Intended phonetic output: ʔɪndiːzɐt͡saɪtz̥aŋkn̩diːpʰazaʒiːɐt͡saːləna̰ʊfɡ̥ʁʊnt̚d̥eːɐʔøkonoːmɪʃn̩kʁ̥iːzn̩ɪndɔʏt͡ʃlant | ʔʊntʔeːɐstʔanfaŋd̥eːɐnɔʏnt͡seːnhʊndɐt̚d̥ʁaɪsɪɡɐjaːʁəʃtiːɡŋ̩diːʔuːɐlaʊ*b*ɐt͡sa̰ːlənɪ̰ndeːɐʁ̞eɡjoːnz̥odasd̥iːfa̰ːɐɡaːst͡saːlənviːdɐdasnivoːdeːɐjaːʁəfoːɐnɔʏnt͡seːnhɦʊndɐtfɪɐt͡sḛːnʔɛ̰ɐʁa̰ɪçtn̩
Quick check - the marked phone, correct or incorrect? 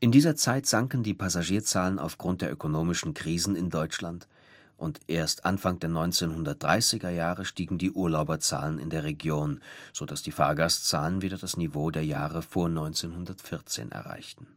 correct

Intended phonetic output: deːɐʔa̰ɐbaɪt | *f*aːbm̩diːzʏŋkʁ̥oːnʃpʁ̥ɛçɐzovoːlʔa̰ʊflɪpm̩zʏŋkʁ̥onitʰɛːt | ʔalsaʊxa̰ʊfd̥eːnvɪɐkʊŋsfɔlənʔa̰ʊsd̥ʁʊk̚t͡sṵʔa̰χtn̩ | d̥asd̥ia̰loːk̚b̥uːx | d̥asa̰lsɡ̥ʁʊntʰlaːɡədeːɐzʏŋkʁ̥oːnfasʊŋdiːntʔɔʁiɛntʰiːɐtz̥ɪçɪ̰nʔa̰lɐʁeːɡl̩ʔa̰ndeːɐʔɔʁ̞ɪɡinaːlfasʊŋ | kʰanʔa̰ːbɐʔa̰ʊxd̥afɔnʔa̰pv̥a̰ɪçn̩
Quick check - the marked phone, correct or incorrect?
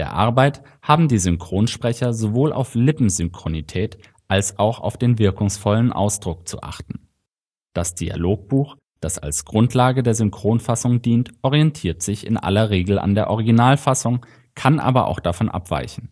incorrect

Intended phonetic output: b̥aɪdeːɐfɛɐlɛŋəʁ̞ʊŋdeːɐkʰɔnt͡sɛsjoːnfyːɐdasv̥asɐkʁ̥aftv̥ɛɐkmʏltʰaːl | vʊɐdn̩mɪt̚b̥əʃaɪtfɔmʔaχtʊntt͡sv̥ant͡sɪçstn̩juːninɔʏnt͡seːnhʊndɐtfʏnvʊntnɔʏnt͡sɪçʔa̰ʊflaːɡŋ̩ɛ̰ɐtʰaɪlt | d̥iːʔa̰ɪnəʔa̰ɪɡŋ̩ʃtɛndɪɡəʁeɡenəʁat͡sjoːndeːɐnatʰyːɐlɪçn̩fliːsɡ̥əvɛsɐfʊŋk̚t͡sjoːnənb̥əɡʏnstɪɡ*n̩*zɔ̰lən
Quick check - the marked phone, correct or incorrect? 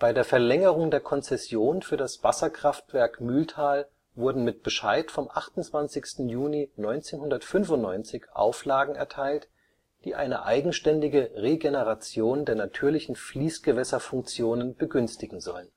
incorrect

